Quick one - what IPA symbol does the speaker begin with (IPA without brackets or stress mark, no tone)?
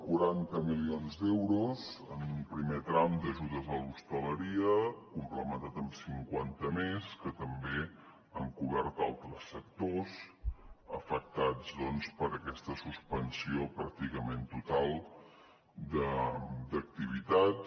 k